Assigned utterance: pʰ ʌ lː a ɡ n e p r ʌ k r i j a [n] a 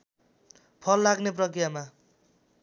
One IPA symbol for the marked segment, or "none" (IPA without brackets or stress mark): m